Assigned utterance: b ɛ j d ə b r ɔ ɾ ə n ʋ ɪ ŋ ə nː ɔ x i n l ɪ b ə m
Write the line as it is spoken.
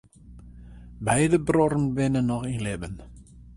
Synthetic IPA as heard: b ɛ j d ə b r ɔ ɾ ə n ʋ ɪ n ə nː ɔ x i n l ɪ b ə n